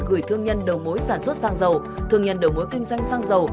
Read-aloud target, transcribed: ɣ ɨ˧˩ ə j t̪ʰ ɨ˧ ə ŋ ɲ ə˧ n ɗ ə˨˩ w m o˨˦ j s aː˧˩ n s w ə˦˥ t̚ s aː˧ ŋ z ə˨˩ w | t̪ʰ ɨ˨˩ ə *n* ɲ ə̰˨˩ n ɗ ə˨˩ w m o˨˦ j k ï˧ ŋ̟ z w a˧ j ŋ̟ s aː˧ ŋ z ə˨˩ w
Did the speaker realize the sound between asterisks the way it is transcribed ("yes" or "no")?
no